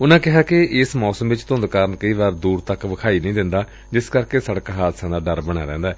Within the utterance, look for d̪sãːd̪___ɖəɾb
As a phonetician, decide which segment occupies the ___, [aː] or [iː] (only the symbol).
aː